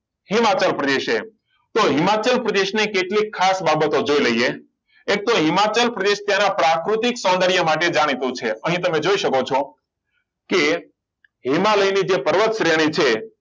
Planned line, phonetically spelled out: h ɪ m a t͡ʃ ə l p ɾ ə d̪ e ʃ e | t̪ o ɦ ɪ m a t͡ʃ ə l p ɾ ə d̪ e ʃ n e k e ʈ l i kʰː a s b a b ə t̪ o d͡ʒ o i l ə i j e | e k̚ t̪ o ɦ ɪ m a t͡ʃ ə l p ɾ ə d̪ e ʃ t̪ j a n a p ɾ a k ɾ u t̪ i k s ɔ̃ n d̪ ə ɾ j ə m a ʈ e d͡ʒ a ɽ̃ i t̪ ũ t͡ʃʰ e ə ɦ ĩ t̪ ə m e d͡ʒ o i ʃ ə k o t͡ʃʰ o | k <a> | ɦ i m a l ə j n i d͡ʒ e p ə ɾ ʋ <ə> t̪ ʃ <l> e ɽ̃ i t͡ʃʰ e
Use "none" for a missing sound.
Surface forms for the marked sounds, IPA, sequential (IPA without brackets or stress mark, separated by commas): e, ə, ɾ